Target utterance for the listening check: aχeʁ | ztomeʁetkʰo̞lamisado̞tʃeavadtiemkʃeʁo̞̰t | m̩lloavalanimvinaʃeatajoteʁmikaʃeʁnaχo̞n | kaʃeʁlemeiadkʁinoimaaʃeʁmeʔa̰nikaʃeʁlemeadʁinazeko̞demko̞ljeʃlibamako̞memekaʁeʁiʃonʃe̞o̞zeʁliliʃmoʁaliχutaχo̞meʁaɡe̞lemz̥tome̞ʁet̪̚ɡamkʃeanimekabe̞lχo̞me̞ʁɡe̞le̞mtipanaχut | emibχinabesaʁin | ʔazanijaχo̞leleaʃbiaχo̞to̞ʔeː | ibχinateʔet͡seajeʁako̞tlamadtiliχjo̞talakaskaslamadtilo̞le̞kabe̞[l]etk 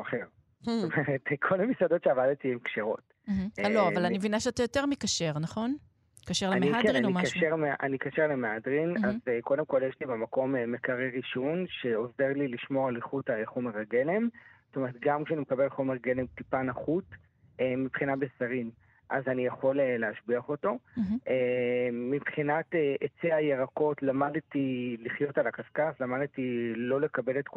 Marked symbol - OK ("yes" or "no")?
yes